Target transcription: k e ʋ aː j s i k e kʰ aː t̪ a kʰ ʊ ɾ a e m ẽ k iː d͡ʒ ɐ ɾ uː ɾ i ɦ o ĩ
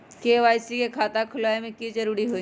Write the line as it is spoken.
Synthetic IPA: k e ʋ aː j s i k e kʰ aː t̪ a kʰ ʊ l a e m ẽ k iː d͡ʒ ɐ ɾ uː ɾ i ɦ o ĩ